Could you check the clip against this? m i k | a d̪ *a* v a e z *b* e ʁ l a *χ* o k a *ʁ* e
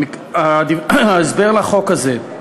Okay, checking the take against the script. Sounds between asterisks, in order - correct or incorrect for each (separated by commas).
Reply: incorrect, correct, correct, incorrect